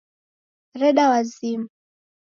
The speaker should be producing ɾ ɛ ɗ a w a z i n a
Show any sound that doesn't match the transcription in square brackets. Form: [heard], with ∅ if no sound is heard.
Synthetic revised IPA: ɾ ɛ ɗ a w a z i [m] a